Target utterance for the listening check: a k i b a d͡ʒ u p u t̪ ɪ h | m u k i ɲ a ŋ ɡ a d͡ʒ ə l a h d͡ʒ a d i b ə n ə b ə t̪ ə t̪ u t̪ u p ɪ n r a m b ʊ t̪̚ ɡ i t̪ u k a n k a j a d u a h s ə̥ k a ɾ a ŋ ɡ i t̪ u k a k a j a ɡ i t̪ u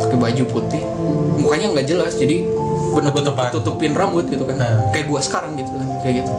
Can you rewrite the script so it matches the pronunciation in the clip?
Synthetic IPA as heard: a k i b a d͡ʒ u p u t̪ ɪ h | m u k a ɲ a ŋ ɡ a d͡ʒ ə l a s d͡ʒ a d i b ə n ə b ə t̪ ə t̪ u t̪ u p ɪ n r a m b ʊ t̪̚ ɡ i t̪ u k a n k a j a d u a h s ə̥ k a ɾ a ŋ ɡ i t̪ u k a k a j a ɡ i t̪ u